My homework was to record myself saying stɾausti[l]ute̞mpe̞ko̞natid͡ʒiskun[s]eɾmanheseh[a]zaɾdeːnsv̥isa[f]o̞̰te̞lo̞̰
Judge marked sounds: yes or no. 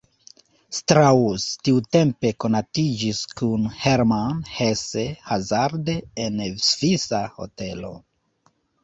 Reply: no, no, yes, no

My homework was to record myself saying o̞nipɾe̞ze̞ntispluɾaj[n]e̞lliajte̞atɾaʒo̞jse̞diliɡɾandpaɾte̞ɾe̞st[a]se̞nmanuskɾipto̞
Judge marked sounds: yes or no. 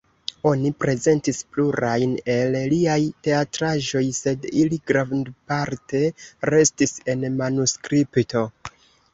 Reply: yes, no

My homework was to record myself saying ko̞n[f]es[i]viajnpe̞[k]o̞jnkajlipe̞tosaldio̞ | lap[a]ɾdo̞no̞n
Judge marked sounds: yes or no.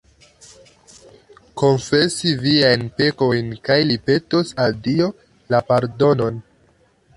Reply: yes, yes, yes, yes

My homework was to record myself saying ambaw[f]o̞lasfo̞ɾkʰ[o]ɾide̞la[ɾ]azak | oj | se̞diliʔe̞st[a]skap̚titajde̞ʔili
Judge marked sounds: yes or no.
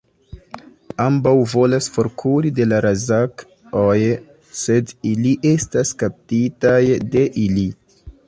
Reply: no, no, yes, yes

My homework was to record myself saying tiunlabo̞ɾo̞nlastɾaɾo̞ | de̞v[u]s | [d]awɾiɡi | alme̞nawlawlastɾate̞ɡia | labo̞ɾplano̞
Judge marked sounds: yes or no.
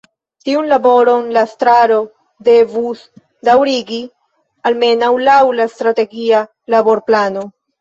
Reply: yes, yes

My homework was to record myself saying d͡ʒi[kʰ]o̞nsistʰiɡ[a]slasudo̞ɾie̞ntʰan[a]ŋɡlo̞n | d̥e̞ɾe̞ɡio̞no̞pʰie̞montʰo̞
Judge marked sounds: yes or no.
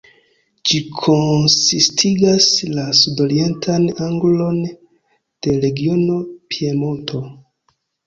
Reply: yes, yes, yes

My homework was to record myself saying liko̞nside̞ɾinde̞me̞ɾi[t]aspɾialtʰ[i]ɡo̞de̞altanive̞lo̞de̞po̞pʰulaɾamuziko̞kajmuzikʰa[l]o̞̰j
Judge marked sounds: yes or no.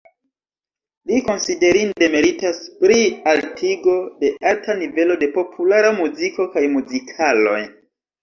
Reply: yes, yes, yes

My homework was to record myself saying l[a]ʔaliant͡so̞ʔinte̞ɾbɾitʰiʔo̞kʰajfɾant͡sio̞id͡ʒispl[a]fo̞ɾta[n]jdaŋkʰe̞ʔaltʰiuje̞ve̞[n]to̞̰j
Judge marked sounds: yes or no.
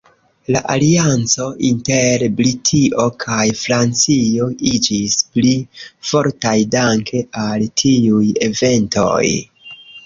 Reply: yes, no, no, yes

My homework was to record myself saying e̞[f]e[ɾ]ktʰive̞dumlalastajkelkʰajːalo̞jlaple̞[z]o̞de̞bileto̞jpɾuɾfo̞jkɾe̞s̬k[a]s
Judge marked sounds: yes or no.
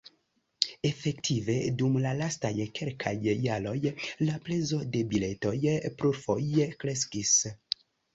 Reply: yes, no, yes, no

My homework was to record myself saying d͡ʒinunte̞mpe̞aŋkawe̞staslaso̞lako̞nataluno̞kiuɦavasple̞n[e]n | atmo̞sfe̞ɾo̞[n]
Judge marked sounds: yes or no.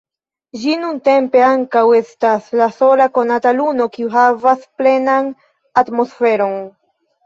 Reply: no, yes

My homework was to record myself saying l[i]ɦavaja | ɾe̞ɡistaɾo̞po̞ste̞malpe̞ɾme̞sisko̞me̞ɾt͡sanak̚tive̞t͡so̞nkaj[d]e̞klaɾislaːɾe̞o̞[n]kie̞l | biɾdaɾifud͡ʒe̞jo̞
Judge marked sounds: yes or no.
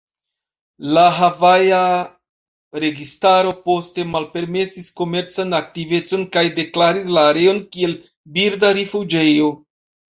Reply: no, yes, yes

